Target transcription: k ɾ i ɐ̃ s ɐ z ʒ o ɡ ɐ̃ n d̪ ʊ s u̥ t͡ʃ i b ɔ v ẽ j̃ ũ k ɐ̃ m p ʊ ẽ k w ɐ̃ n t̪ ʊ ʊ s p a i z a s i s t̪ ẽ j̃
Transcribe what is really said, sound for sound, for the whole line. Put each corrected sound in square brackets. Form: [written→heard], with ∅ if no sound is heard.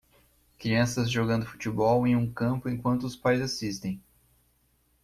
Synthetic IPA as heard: k ɾ i ɐ̃ s ɐ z ʒ o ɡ ɐ̃ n d̪ ʊ [s→f] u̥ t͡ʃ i b ɔ [v→w] ẽ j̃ ũ k ɐ̃ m p ʊ ẽ k w ɐ̃ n t̪ ʊ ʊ s p a [i→j] z a s i s t̪ ẽ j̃